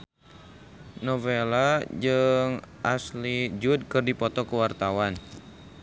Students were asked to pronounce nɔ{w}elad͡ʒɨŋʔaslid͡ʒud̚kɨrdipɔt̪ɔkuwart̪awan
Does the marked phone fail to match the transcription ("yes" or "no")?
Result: yes